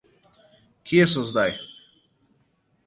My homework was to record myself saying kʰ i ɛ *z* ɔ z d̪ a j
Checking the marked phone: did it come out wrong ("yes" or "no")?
yes